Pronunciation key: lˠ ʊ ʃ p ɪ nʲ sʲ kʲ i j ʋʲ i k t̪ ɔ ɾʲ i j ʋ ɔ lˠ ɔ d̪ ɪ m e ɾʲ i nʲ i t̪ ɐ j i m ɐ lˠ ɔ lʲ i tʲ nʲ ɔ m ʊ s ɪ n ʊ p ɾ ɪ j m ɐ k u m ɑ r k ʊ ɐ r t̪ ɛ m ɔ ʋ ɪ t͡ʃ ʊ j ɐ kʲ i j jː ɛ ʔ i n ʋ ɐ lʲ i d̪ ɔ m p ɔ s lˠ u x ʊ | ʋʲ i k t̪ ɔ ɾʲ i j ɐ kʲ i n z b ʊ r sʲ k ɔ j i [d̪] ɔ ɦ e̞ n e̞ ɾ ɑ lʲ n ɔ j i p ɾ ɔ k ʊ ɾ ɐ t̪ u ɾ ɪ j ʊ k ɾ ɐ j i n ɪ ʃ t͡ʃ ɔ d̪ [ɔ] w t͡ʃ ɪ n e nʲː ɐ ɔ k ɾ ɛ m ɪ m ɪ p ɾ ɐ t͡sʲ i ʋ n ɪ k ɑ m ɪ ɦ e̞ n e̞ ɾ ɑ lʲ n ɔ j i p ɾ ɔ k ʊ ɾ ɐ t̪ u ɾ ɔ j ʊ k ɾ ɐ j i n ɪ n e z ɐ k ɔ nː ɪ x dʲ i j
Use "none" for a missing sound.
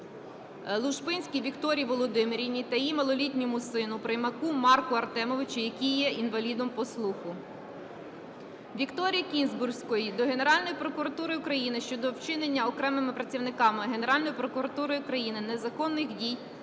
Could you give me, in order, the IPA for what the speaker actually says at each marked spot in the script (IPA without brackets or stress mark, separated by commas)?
d̪, ɔ